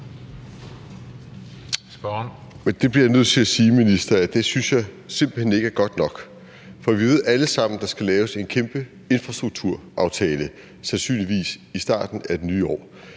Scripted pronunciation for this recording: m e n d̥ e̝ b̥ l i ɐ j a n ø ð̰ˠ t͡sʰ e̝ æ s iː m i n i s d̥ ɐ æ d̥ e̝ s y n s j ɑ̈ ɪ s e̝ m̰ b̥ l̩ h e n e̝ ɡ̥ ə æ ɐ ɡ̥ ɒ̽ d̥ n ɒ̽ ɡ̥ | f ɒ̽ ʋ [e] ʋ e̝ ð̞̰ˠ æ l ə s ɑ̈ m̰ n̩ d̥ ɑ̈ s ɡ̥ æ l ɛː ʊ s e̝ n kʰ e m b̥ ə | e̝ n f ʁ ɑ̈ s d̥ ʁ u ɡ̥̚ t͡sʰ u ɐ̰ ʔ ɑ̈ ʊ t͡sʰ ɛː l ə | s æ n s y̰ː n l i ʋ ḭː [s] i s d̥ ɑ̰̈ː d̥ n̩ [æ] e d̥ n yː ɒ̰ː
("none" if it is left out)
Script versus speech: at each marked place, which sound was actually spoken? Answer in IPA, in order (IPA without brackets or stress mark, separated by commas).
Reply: i, s, æ